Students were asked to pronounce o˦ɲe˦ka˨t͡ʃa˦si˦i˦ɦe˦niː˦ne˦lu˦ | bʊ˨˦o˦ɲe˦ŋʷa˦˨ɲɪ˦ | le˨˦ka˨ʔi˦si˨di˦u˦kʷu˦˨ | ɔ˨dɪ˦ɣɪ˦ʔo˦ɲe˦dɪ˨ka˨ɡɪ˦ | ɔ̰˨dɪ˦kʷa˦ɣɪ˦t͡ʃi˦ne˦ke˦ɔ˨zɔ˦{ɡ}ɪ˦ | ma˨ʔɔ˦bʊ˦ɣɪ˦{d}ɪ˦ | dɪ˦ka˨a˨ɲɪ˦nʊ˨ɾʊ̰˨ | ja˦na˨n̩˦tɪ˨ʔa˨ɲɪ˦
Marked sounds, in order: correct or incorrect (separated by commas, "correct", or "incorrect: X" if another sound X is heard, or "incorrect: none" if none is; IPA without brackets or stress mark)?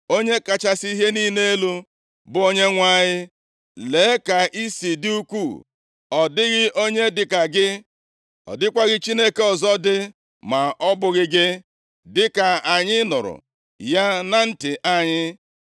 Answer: incorrect: d, incorrect: ɡ